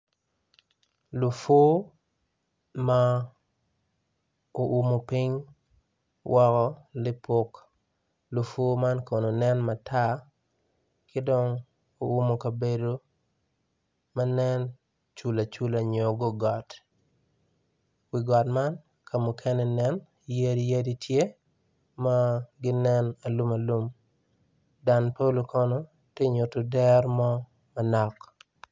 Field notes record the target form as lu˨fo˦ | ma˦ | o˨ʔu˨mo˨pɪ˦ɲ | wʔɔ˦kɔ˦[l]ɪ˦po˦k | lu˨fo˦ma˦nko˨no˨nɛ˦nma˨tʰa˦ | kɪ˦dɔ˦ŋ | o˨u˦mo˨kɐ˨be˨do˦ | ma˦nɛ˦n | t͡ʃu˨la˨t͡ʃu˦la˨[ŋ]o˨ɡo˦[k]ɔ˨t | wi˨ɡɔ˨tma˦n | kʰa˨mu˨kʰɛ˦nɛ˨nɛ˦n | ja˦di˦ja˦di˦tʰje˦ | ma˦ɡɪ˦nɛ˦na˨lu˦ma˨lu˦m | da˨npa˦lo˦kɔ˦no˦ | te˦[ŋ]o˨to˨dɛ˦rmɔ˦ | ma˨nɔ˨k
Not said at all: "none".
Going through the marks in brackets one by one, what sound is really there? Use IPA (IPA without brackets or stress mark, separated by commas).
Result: l, ɲ, ɡ, ɲ